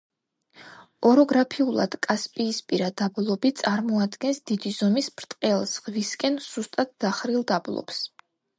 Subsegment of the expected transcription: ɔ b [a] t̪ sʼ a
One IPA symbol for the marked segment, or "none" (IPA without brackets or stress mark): i